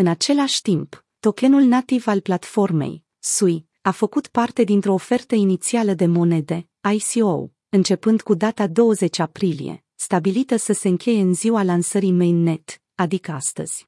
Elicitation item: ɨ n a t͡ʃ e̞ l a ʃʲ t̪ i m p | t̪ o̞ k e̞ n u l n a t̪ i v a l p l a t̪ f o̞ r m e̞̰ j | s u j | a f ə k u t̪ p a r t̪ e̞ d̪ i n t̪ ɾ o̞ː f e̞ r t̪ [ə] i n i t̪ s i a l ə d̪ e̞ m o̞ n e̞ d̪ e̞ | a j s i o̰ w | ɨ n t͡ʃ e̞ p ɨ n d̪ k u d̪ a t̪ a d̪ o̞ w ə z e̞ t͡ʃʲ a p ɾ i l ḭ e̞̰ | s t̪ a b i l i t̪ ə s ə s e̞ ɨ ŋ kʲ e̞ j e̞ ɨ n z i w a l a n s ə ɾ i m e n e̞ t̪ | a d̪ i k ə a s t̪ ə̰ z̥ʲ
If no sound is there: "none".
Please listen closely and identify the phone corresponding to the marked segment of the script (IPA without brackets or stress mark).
ə